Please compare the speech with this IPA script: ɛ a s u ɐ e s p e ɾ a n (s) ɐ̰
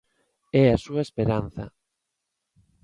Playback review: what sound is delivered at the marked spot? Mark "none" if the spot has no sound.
θ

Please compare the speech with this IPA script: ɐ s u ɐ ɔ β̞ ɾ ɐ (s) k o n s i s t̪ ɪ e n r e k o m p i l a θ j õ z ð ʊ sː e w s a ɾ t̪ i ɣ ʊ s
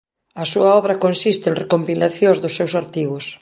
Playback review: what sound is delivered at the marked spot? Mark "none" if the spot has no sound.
none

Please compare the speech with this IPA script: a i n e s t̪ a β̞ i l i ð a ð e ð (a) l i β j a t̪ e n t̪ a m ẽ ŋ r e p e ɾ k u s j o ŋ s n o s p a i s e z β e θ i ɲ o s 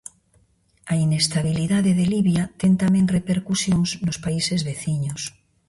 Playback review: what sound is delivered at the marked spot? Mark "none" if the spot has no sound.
e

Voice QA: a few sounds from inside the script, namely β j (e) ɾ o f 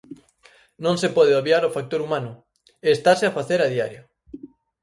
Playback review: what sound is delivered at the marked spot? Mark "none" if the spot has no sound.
a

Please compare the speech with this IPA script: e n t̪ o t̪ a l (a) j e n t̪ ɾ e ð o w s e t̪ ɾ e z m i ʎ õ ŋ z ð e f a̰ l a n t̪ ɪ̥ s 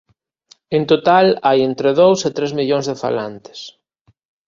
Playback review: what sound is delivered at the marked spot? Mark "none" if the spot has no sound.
a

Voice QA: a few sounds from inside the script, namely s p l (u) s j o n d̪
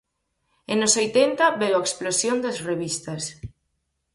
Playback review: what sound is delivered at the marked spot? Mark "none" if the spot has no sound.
o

